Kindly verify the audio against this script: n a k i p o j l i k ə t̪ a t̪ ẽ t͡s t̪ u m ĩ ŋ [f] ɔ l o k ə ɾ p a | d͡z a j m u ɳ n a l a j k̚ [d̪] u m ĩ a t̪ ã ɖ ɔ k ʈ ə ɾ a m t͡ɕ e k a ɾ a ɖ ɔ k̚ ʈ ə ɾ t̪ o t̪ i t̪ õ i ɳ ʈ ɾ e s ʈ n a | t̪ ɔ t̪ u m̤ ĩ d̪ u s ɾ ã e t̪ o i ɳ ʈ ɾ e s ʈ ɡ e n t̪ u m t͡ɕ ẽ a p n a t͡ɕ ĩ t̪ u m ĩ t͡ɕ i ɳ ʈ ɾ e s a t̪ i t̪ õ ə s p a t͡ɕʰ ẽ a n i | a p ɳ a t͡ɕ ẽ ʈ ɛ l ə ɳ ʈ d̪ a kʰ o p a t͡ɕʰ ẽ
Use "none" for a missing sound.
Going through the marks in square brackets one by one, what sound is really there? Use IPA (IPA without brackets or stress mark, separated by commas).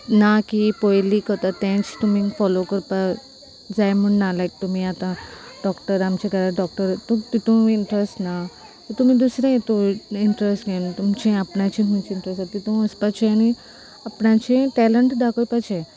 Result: f, t̪